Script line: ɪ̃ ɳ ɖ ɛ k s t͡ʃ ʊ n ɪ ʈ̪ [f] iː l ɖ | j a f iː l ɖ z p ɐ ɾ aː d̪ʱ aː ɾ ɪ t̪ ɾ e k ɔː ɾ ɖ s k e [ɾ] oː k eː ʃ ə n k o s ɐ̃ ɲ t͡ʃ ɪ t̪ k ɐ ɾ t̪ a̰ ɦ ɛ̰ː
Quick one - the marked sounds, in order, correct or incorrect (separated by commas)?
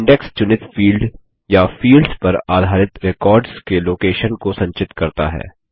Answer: correct, incorrect